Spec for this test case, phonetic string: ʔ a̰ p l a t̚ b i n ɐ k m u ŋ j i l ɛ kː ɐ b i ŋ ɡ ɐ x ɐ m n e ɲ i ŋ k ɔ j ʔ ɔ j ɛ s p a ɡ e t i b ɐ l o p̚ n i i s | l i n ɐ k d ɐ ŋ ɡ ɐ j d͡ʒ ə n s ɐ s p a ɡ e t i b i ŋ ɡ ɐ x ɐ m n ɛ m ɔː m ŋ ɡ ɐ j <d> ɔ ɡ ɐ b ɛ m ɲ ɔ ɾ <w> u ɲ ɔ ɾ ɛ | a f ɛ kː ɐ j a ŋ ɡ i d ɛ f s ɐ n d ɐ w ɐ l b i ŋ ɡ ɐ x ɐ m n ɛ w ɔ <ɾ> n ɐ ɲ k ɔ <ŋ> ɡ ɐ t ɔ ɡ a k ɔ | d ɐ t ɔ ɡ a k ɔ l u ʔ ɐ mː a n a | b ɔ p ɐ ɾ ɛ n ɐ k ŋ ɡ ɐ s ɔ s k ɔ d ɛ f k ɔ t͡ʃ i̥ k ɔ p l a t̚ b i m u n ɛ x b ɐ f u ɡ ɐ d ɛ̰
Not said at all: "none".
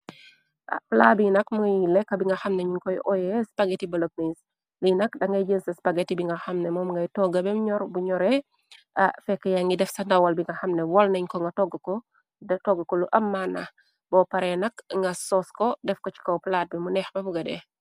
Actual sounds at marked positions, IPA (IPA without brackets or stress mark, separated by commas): t, b, l, ŋ